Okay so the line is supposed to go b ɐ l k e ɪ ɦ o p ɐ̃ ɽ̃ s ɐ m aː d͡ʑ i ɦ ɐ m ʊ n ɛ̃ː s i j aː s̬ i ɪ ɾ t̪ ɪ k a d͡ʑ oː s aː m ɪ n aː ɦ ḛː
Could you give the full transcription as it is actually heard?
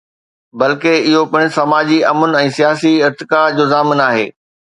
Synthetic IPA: b ɐ l k e ɪ ɦ o p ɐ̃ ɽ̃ s ɐ m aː d͡ʑ i ɐ m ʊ n ɛ̃ː s i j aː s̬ i ɪ ɾ t̪ ɪ k a d͡ʑ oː z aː m ɪ n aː ɦ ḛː